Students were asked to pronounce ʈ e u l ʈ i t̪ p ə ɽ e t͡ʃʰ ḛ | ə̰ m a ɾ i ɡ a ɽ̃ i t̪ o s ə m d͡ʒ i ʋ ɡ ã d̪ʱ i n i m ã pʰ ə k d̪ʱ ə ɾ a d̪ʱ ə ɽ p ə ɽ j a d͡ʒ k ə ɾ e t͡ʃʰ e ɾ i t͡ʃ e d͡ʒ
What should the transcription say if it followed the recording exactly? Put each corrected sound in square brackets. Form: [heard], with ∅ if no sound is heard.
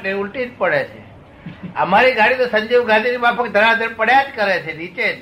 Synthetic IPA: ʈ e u l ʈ i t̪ p ə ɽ e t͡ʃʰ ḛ | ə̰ m a ɾ i ɡ a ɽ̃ i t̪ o s ə [ɲ] d͡ʒ i ʋ ɡ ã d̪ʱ i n i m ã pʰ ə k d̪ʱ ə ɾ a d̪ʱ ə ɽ p ə ɽ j a d͡ʒ k ə ɾ e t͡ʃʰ e ɾ i t͡ʃ e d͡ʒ